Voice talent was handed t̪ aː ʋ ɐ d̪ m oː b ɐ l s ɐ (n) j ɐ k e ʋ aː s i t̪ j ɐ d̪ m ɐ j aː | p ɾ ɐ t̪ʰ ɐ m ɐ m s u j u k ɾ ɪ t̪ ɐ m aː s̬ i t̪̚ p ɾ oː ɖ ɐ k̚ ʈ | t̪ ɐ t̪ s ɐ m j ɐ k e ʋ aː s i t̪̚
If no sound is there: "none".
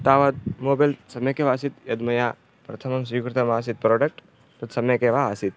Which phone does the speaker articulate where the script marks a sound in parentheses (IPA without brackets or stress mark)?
m